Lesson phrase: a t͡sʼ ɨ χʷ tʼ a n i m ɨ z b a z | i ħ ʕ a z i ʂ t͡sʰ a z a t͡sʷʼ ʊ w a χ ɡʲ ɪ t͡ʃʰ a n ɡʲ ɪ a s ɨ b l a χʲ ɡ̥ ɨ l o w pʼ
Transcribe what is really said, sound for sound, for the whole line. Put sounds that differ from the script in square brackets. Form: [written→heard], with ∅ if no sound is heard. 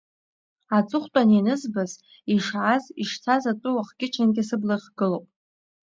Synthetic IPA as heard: a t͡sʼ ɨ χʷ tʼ a n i [m→n] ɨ z b a z | i [ħ→ʂ] ʕ a z i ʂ t͡sʰ a z a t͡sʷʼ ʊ w a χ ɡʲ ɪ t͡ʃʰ a n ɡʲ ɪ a s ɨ b l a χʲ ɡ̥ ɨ l o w pʼ